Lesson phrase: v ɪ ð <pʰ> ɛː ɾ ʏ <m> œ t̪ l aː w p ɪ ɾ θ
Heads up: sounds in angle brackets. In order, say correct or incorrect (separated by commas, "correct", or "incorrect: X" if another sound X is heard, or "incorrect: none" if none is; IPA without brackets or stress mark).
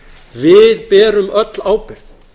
incorrect: p, correct